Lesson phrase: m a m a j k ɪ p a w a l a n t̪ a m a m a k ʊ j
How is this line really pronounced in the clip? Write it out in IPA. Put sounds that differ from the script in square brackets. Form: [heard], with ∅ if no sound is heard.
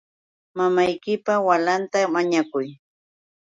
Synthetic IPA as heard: m a m a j k ɪ p a w a l a n t̪ a m a [ɲ] a k ʊ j